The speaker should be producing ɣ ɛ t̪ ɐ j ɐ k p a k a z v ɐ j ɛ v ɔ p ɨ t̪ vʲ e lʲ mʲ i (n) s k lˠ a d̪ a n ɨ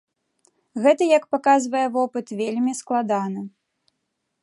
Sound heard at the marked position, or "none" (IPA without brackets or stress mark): none